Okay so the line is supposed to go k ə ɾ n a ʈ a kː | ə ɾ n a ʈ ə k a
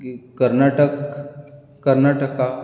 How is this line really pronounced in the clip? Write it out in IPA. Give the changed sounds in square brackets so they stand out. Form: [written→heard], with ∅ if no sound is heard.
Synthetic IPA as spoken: k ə ɾ n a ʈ [a→ə] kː | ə ɾ n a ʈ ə k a

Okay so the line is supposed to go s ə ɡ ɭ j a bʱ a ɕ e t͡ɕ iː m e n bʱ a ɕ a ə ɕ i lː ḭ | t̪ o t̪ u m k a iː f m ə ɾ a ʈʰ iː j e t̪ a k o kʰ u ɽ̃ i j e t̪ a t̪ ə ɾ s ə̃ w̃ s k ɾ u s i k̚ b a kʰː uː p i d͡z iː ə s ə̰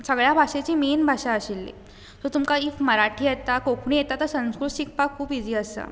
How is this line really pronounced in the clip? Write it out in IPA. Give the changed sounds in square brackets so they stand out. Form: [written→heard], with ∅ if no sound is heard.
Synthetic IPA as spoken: s ə ɡ ɭ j a bʱ a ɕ e t͡ɕ iː m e n bʱ a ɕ a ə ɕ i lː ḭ | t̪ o t̪ u m k a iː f m ə ɾ a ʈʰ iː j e t̪ a k o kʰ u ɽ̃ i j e t̪ a t̪ ə ɾ s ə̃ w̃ s k ɾ u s i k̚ [b→p] a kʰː uː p i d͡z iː ə s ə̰

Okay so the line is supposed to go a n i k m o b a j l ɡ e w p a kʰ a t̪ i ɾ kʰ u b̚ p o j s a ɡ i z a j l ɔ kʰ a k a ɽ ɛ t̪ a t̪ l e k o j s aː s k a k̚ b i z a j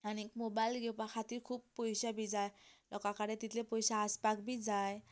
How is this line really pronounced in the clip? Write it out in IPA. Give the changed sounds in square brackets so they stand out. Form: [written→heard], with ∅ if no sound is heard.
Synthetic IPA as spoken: a n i k m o b a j l ɡ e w p a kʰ a t̪ i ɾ kʰ u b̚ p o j s a [ɡ→b] i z a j l ɔ [kʰ→k] a k a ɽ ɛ t̪ [a→i] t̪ l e [k→p] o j s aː s [k→p] a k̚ b i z a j

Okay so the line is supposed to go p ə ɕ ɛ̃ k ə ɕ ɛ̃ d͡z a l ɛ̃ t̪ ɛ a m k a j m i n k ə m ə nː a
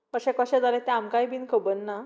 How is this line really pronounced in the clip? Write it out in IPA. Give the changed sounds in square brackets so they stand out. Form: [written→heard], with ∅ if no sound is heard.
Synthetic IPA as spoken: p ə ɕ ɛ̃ k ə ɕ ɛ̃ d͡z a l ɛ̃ t̪ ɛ a m k a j [m→b] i n k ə [m→b] ə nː a

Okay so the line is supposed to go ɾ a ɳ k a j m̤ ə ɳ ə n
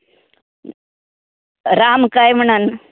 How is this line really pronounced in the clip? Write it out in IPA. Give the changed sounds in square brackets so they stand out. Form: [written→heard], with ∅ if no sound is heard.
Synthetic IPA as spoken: ɾ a [ɳ→m] k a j m̤ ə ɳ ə n

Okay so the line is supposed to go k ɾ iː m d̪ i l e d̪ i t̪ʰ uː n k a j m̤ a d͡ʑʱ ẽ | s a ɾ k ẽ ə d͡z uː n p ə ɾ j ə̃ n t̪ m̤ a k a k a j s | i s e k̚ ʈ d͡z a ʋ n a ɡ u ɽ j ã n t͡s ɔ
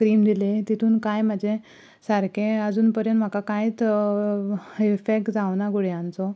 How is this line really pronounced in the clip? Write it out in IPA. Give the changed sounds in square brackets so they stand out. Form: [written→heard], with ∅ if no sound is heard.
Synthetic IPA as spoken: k ɾ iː m d̪ i l e [d̪→t̪] i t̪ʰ uː n k a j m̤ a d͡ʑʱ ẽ | s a ɾ k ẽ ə d͡z uː n p ə ɾ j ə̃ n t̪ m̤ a k a k a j [s→t͡s] | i [s→f] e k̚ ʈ d͡z a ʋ n a ɡ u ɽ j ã n t͡s ɔ

